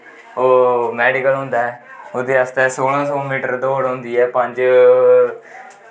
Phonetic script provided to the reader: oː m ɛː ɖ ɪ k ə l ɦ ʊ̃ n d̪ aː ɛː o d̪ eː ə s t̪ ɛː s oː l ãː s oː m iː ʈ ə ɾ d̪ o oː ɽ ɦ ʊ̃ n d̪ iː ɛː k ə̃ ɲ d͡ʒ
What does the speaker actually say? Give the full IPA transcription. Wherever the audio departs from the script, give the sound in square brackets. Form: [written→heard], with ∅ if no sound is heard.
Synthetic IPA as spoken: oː m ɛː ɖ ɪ k ə l ɦ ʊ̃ n d̪ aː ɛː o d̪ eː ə s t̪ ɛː s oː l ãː s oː m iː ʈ ə ɾ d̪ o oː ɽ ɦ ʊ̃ n d̪ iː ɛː [k→p] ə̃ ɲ d͡ʒ